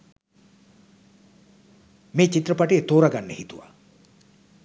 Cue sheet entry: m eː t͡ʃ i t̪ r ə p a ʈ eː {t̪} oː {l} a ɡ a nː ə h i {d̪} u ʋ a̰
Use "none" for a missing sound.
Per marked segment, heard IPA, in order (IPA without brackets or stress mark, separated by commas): t̪, ɾ, t̪